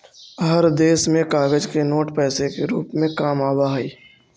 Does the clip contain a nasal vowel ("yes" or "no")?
yes